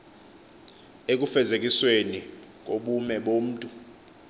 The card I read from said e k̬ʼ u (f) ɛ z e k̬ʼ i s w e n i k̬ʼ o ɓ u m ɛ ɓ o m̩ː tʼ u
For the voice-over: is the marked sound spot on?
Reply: yes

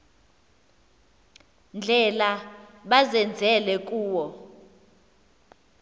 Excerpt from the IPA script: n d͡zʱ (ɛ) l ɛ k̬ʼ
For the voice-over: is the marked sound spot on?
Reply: yes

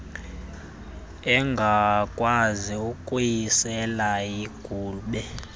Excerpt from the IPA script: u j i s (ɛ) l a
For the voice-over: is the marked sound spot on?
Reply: yes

